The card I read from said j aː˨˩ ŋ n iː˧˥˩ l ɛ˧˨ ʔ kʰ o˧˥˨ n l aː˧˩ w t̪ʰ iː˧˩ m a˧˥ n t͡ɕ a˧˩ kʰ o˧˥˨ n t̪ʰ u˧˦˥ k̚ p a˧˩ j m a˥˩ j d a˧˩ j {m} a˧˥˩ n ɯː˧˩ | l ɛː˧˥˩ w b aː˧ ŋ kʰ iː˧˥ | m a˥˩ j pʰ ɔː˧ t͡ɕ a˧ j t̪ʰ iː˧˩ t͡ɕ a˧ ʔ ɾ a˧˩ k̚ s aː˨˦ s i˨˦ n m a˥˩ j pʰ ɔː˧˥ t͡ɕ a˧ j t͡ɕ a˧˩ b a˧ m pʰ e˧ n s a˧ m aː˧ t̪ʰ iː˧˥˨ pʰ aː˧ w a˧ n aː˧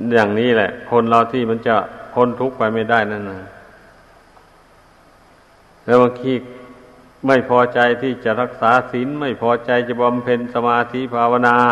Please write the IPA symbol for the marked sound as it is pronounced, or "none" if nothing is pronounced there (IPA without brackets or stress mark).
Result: n